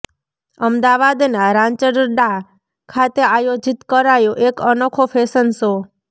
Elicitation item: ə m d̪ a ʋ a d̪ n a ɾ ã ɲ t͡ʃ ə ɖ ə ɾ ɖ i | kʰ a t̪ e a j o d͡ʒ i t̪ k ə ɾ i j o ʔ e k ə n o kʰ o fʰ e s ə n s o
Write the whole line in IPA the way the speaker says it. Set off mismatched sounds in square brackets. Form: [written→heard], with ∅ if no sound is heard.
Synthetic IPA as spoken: ə m d̪ a ʋ a d̪ n a ɾ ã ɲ t͡ʃ ə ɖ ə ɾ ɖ [i→a] | kʰ a t̪ e a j o d͡ʒ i t̪ k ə ɾ [i→a] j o ʔ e k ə n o kʰ o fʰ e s ə n s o